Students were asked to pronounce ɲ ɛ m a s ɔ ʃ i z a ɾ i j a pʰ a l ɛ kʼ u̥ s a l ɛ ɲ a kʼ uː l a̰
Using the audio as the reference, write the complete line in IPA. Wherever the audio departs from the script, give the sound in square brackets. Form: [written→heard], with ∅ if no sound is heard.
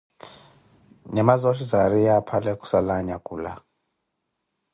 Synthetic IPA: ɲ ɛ m a [s→z] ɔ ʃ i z a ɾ i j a pʰ a l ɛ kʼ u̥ s a l [ɛ→a] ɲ a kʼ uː l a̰